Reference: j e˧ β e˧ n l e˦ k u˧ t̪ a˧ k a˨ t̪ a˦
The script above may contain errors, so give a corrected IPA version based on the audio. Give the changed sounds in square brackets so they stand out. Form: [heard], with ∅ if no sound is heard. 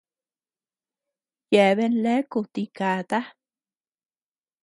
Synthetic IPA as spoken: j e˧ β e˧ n l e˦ k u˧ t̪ [i˧] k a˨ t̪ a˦

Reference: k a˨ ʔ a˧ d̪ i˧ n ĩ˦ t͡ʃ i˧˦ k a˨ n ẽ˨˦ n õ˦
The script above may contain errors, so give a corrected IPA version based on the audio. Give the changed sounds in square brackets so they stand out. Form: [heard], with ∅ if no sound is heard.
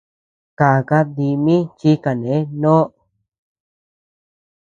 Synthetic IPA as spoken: k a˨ [k] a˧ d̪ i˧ [m] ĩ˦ t͡ʃ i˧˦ k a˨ n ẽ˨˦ n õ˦

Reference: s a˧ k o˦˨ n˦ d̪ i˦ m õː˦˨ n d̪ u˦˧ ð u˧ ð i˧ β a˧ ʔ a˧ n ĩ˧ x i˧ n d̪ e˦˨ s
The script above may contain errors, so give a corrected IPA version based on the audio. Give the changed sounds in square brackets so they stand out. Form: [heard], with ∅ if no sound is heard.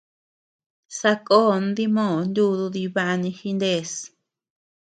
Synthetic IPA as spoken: s a˧ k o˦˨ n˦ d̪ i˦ m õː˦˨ n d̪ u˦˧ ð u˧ ð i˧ β a˧ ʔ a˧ n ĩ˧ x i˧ n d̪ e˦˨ s

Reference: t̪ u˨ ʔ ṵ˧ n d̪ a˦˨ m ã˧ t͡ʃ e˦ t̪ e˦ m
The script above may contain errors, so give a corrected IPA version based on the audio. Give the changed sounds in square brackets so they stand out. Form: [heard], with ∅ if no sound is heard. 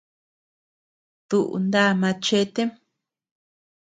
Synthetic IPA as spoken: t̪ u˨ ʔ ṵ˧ n d̪ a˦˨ m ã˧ t͡ʃ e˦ t̪ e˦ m

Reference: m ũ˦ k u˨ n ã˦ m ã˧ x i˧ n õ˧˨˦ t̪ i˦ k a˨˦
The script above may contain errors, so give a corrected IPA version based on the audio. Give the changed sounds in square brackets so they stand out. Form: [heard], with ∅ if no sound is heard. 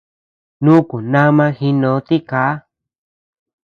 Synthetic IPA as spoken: [n] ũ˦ k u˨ n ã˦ m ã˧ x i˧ n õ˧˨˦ t̪ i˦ k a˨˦

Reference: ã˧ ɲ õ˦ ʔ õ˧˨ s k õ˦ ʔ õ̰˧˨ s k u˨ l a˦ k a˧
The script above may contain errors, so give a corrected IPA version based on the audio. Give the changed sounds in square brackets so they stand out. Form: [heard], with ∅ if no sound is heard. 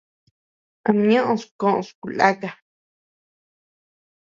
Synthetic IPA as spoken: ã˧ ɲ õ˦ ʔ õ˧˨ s k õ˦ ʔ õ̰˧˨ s k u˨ l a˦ k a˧

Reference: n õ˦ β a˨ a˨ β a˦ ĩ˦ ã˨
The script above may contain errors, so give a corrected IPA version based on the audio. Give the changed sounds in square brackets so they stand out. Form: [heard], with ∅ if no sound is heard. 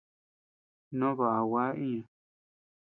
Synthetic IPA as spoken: n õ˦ β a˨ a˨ [w] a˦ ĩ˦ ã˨

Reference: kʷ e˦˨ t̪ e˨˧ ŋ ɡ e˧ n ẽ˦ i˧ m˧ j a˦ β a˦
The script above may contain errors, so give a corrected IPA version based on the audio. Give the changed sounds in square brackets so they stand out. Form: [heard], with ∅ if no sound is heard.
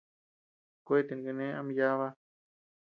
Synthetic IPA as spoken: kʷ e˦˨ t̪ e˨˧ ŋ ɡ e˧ n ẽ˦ [a˧] m˧ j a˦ β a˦

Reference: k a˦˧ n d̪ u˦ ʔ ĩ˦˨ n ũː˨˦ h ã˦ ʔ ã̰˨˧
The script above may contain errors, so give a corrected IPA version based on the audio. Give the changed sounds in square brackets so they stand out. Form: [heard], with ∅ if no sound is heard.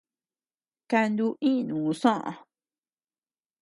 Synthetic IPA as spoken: k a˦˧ n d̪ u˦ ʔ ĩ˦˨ n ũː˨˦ [s] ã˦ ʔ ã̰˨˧

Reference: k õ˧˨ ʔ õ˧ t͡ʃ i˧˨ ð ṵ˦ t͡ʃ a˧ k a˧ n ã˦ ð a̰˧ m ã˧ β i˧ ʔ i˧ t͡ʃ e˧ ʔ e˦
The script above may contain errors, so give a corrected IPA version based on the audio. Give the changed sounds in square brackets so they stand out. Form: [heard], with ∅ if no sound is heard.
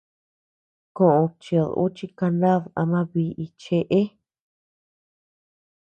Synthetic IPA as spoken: k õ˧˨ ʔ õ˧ t͡ʃ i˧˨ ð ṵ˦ t͡ʃ [i˧] k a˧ n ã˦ ð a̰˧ m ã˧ β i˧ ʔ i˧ t͡ʃ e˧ ʔ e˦

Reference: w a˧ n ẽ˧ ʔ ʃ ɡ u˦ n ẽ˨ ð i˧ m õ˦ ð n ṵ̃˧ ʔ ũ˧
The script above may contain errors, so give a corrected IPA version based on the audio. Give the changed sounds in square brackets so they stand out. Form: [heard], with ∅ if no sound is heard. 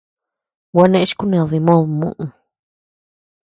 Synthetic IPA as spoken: w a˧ n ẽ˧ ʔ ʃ [k] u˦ n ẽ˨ ð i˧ m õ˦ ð [m] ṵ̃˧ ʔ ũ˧

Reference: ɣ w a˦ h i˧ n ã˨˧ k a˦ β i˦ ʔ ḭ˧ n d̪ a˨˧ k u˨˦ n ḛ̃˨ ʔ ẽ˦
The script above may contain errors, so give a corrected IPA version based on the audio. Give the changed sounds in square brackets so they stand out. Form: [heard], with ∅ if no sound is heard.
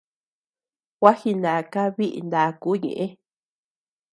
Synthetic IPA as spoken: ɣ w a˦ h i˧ n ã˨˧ k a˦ β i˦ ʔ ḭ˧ n d̪ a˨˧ k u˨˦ [ɲ] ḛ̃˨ ʔ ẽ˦

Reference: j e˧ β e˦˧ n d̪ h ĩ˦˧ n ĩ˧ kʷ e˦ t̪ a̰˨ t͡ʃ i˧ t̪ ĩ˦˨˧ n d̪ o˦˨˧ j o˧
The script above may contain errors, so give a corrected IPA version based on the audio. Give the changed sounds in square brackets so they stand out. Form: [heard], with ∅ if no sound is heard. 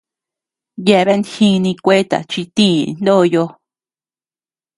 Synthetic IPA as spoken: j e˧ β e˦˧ n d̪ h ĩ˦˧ n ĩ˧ kʷ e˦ t̪ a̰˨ t͡ʃ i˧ t̪ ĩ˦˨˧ n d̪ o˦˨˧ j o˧

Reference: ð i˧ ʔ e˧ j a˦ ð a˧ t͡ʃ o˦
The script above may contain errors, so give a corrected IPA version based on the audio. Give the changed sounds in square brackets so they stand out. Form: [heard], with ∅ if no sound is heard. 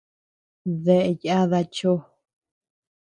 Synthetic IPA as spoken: ð [e˧] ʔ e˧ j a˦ ð a˧ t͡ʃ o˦

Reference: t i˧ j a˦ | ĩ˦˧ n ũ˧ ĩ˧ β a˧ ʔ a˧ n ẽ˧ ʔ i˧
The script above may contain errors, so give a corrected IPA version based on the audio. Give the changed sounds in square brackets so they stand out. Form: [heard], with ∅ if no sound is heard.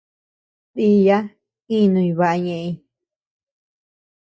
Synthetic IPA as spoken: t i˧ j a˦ | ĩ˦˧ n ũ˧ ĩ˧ β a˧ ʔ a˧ [ɲ] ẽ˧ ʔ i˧

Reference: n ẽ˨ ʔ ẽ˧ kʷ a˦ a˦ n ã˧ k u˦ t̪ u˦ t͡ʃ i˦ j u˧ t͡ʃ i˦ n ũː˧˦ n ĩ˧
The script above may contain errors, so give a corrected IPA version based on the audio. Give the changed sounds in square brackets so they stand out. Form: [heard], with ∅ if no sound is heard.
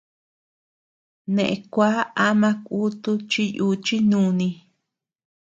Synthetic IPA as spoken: n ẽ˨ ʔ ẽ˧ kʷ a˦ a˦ [m] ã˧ k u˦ t̪ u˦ t͡ʃ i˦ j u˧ t͡ʃ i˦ n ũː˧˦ n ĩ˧

